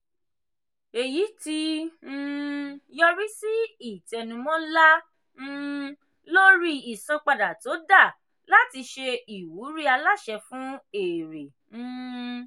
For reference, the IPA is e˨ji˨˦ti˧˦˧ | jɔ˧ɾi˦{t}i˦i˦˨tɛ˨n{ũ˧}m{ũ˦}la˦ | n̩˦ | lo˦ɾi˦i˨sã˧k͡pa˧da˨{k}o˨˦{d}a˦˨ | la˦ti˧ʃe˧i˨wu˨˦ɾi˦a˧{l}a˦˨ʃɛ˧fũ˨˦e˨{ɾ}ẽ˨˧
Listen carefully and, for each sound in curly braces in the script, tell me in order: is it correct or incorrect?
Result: incorrect: s, correct, incorrect: ɔ̃˦, incorrect: t, correct, correct, correct

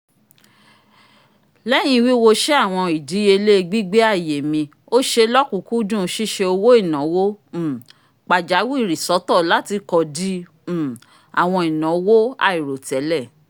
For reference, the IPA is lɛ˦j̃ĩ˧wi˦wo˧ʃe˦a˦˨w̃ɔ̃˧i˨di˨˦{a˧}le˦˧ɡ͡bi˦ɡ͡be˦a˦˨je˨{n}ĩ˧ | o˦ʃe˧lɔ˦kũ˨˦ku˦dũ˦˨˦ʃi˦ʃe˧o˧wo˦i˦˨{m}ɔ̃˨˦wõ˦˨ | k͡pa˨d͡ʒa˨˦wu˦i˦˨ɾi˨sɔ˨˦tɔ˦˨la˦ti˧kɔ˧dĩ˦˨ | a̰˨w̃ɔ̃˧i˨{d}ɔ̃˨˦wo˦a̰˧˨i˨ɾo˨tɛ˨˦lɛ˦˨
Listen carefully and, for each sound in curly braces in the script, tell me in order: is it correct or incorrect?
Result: incorrect: e˧, incorrect: m, incorrect: n, incorrect: n

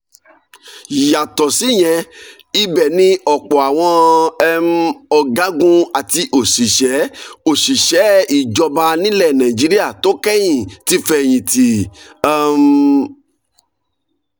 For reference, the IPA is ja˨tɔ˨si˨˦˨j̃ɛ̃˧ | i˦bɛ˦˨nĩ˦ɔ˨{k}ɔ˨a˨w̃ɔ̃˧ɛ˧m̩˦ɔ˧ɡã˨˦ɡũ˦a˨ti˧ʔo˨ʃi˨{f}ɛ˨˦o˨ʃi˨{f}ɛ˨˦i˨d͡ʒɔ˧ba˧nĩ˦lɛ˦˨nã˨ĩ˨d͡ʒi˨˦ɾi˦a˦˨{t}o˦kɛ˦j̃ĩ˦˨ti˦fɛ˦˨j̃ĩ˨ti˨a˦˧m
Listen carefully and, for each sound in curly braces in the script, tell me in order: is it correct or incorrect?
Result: incorrect: k͡p, incorrect: ʃ, incorrect: ʃ, correct

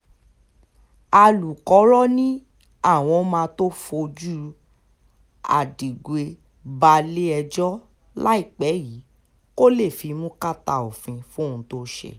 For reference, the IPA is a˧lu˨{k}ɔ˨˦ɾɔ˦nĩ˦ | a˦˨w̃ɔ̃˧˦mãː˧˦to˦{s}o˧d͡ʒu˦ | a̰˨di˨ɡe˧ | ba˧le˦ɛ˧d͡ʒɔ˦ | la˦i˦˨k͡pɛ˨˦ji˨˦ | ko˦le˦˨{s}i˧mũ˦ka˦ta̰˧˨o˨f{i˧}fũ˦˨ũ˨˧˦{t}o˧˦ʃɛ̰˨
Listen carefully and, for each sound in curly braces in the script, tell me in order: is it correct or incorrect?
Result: correct, incorrect: f, incorrect: f, incorrect: ĩ˧, correct

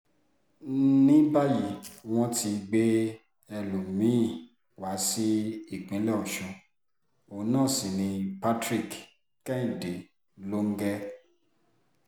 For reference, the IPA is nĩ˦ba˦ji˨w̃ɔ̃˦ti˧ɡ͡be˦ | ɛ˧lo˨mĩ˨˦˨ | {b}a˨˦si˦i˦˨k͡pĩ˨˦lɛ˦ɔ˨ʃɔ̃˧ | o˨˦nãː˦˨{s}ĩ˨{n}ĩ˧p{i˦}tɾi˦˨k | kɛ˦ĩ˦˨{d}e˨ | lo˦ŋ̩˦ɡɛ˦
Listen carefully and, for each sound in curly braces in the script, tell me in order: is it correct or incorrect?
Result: incorrect: w, correct, correct, incorrect: a˦, correct

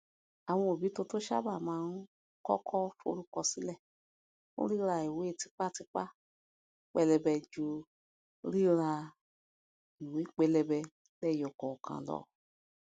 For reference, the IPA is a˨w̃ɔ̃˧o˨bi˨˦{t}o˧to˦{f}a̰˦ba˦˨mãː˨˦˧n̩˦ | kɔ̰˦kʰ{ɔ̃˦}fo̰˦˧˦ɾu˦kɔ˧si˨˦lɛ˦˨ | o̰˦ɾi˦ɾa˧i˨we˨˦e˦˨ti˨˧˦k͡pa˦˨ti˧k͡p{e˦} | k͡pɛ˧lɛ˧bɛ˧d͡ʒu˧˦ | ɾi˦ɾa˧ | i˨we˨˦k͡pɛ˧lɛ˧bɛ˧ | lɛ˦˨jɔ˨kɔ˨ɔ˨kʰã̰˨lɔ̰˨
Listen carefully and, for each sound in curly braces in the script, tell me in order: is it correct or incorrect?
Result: correct, incorrect: ʃ, incorrect: ɔ˦, incorrect: a˦

